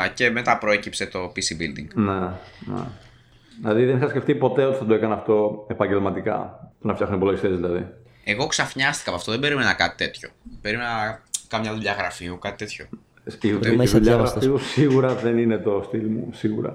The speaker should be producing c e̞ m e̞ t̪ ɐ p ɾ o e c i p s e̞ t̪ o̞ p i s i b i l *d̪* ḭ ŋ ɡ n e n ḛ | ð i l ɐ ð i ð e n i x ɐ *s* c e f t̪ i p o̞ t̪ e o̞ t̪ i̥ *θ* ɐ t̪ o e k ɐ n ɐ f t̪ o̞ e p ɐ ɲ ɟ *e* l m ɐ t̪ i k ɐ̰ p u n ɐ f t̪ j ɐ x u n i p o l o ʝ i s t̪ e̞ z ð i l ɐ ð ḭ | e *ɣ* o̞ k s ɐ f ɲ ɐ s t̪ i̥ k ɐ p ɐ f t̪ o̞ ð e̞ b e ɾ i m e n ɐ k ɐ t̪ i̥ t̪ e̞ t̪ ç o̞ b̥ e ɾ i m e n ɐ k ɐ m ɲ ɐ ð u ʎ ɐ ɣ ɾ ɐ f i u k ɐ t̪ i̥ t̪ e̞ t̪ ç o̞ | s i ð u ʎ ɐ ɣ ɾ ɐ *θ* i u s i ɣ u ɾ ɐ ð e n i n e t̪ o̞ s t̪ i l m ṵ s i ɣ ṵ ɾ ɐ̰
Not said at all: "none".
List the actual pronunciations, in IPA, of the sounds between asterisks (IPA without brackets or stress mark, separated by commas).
d̪, s, θ, e, ɣ, f